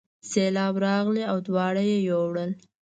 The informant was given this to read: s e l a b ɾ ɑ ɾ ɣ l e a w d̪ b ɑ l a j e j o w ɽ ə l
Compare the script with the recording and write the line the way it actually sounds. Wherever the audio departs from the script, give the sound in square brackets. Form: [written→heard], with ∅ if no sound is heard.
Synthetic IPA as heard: s e l [a→ɑ] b ɾ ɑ [ɾ→∅] ɣ l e a w d̪ [b→w] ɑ [l→ɽ] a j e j o w ɽ ə l